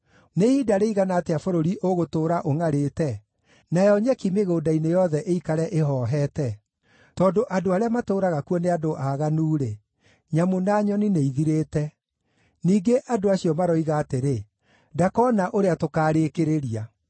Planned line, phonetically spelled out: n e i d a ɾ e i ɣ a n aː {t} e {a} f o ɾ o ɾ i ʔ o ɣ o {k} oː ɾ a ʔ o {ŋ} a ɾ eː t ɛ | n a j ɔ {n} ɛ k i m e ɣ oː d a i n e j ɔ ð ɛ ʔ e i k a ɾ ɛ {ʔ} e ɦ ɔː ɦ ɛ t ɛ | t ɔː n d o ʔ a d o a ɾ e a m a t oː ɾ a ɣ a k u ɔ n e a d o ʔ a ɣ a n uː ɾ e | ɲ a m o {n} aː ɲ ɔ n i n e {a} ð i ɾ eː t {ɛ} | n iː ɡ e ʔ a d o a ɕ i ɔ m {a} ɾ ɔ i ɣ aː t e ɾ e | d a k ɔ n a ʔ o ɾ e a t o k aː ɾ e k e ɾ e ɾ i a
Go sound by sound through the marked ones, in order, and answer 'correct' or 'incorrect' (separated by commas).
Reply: correct, correct, incorrect, correct, incorrect, correct, correct, incorrect, correct, correct